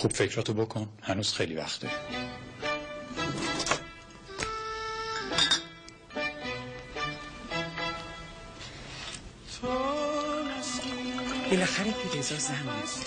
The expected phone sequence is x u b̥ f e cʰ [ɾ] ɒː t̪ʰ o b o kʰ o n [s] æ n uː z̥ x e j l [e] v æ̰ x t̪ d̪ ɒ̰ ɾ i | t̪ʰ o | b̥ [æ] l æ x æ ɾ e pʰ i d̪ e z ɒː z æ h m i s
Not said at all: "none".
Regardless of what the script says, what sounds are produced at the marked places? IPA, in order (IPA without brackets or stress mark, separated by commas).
ɾ, h, i, e